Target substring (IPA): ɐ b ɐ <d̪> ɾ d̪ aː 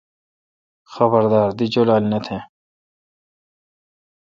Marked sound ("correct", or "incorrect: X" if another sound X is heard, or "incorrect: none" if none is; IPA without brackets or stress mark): incorrect: none